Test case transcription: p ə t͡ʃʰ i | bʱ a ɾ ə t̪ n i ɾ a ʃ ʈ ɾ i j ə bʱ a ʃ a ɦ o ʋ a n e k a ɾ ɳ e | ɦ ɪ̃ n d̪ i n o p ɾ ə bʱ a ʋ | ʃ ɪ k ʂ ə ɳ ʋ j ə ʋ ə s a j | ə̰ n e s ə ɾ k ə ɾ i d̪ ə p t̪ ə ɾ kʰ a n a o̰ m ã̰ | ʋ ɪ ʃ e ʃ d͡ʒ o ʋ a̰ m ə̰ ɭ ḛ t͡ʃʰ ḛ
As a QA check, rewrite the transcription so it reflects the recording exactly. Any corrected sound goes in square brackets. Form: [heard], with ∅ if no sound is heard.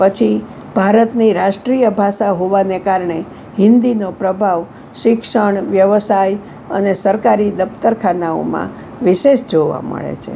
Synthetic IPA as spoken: p ə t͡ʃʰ i | bʱ a ɾ ə t̪ n i ɾ a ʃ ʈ ɾ i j ə bʱ a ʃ a ɦ o ʋ a n e k a ɾ ɳ e | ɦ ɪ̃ n d̪ i n o p ɾ ə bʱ a ʋ | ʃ ɪ k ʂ ə ɳ ʋ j ə ʋ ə s a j | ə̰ n e s ə ɾ k [a] ɾ i d̪ ə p t̪ ə ɾ kʰ a n a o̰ m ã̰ | ʋ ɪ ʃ e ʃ d͡ʒ o ʋ a̰ m ə̰ ɭ ḛ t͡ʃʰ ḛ